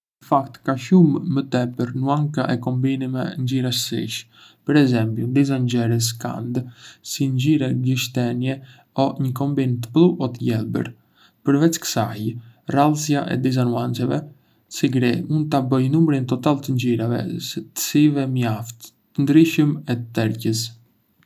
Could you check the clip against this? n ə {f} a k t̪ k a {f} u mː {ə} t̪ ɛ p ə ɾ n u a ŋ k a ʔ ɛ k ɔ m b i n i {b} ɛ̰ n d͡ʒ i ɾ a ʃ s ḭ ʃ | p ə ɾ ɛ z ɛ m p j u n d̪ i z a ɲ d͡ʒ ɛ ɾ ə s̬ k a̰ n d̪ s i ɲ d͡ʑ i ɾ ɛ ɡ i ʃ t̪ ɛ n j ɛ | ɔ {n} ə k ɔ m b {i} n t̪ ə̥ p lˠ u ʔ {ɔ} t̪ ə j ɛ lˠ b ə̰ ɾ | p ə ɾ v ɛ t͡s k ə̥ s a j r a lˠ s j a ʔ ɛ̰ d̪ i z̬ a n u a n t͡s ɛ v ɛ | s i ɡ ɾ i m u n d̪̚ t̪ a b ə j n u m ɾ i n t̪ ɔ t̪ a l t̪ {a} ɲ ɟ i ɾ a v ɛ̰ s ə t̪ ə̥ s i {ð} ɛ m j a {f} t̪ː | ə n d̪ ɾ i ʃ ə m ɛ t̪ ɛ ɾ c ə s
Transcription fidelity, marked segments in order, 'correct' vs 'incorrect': correct, incorrect, correct, incorrect, incorrect, correct, correct, incorrect, incorrect, correct

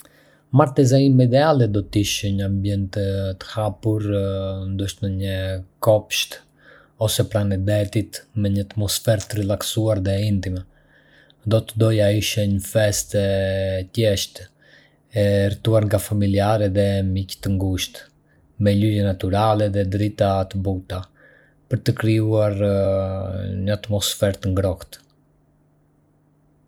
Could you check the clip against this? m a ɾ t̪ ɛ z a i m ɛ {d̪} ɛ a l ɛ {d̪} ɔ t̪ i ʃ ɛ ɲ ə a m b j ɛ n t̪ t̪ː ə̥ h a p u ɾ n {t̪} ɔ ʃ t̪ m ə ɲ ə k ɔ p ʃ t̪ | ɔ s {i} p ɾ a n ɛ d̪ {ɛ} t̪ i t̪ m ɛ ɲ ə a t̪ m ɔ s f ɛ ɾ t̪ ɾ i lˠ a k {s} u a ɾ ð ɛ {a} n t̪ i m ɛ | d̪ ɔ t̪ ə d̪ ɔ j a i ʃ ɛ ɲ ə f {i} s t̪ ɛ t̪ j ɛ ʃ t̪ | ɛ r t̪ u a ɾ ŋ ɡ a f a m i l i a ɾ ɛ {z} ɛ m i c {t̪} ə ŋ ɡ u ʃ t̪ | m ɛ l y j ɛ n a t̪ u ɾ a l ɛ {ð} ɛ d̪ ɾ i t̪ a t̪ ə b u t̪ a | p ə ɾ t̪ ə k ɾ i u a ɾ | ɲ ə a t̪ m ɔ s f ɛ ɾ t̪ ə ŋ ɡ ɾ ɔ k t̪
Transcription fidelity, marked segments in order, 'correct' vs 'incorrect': correct, correct, incorrect, incorrect, correct, correct, incorrect, incorrect, incorrect, correct, correct

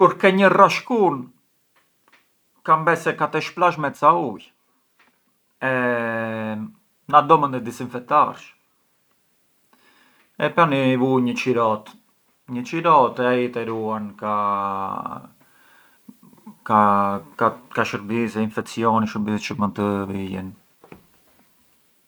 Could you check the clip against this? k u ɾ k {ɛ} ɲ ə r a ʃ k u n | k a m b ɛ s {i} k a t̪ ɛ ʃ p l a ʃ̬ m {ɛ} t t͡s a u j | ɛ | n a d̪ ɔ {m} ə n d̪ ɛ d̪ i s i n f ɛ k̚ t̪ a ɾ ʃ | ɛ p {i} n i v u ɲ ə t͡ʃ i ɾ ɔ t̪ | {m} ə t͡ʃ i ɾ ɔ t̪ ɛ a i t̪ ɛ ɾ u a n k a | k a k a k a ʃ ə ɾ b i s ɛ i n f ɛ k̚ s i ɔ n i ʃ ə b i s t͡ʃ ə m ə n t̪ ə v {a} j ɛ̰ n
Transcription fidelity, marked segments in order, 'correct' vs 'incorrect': correct, incorrect, correct, correct, incorrect, incorrect, incorrect

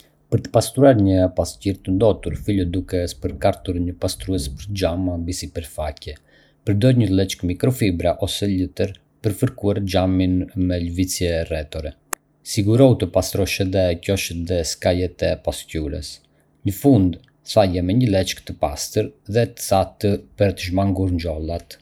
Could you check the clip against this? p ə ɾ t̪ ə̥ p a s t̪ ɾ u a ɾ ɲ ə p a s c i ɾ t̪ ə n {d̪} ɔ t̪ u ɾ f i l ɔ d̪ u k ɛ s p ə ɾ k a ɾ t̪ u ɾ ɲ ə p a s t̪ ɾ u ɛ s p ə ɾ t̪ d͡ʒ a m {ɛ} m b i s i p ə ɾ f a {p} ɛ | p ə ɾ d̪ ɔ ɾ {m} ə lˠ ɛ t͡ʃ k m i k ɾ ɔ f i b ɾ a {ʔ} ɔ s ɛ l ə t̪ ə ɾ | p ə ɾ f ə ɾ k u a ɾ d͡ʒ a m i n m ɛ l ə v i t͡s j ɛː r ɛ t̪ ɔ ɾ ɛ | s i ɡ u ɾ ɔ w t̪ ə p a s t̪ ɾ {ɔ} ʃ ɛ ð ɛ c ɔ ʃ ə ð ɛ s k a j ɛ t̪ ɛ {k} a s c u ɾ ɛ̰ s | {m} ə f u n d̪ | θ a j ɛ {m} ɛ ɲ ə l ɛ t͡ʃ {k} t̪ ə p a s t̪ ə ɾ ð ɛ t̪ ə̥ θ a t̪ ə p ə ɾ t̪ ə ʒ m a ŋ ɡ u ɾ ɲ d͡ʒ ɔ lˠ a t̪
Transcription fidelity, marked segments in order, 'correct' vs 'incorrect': correct, incorrect, incorrect, incorrect, correct, correct, incorrect, incorrect, correct, correct

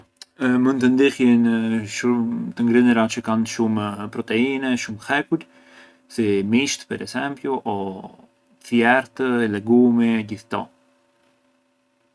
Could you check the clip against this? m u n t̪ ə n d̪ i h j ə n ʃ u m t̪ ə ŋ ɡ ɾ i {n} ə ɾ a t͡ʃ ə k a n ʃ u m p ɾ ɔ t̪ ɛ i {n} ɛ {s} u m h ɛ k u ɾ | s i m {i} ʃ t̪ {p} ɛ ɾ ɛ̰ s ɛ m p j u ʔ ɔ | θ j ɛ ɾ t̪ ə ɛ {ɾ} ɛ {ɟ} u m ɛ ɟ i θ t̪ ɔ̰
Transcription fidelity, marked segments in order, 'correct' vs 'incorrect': correct, correct, incorrect, correct, correct, incorrect, incorrect

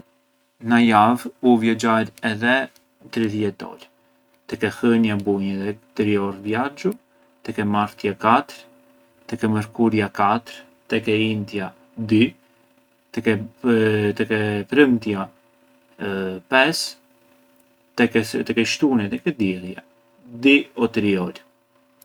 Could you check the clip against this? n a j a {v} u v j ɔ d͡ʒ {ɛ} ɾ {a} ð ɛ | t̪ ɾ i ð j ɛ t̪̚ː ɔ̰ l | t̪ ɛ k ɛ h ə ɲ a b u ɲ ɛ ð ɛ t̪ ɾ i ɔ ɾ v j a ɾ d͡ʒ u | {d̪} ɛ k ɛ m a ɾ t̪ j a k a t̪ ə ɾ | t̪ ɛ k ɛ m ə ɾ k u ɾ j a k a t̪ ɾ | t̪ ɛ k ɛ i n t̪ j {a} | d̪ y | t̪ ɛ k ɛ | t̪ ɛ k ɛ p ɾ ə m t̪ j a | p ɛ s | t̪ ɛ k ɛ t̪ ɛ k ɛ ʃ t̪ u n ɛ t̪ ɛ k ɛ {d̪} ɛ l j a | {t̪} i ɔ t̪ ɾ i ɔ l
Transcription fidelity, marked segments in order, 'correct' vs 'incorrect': correct, incorrect, incorrect, incorrect, correct, correct, incorrect

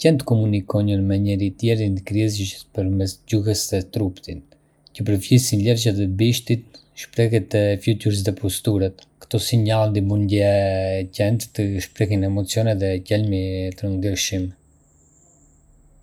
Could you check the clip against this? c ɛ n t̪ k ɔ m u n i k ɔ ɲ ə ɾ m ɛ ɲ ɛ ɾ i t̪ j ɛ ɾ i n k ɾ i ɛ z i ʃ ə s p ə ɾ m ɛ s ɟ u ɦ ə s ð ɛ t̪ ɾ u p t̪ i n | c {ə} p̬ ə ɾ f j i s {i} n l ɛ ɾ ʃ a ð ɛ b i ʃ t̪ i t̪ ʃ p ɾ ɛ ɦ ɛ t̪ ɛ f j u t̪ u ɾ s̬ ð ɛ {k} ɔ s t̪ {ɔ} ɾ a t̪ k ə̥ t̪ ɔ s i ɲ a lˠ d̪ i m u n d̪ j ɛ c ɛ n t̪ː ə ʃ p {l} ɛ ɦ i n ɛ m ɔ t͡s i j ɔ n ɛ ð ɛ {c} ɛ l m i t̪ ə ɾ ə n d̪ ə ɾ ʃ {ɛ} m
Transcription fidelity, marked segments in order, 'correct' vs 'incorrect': correct, correct, incorrect, incorrect, incorrect, correct, incorrect

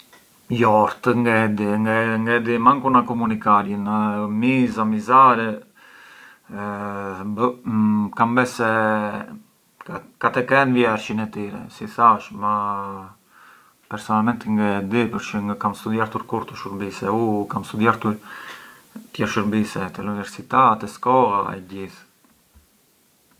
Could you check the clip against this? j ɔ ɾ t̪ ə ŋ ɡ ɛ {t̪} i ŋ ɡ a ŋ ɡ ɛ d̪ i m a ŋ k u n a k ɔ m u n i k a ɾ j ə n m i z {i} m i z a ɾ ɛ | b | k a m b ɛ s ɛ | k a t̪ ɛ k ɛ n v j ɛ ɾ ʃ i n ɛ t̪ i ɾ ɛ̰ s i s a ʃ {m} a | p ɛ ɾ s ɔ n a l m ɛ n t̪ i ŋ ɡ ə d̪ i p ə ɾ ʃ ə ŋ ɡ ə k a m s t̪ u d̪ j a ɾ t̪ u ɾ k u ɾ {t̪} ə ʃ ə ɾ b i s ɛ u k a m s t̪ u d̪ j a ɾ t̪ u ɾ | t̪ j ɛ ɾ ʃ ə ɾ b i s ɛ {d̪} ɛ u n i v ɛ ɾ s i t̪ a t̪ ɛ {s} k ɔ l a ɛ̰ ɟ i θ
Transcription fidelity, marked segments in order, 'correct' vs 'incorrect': incorrect, incorrect, correct, correct, incorrect, correct

